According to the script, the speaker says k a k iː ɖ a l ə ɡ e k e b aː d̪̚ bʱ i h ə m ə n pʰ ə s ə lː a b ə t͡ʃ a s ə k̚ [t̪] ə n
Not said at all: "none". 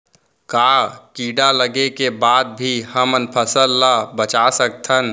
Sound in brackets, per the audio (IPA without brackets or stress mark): t̪ʰ